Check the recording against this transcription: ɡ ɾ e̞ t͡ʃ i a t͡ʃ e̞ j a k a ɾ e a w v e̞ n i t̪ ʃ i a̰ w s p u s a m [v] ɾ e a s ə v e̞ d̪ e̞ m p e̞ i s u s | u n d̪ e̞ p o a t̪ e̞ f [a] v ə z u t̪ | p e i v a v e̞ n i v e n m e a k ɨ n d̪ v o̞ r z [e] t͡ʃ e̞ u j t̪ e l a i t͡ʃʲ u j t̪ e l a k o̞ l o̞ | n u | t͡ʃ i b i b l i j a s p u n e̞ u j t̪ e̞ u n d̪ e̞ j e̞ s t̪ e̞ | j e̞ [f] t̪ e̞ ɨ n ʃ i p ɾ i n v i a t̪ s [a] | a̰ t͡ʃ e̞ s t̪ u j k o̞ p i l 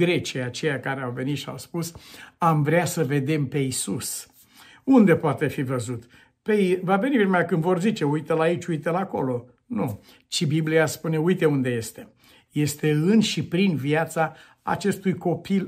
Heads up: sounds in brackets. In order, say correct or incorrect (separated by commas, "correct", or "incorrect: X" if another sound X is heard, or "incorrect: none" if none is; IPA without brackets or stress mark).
correct, incorrect: i, incorrect: i, incorrect: s, correct